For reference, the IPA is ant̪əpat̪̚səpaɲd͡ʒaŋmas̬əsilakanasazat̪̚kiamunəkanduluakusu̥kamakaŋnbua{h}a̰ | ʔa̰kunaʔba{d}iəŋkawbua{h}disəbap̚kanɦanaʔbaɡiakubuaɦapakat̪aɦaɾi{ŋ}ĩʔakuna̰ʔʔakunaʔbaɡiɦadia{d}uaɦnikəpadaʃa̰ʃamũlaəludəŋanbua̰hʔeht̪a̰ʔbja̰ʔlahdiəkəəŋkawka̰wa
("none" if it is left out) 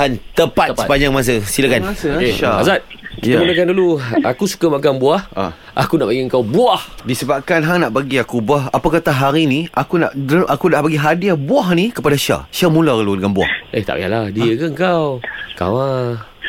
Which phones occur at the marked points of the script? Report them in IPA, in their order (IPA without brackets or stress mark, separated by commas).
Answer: h, ɡ, h, n, b